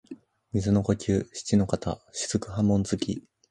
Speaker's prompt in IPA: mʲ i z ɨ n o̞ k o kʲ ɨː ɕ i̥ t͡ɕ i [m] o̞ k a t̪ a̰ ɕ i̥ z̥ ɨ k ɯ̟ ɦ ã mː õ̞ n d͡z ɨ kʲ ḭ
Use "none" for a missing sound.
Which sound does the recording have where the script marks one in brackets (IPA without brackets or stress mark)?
n